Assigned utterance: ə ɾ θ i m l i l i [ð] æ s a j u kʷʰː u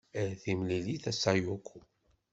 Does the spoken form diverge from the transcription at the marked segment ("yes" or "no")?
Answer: yes